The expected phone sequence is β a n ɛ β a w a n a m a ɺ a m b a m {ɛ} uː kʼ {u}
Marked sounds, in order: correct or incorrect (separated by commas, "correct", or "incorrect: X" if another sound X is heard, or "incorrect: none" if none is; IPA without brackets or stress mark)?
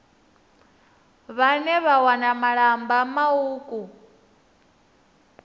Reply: incorrect: a, correct